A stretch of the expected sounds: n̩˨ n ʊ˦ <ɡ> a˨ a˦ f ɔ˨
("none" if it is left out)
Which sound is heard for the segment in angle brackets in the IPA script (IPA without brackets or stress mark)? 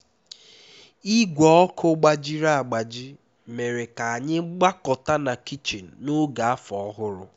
ɡ